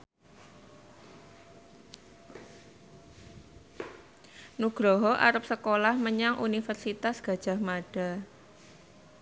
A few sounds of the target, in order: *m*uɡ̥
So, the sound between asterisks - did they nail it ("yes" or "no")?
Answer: no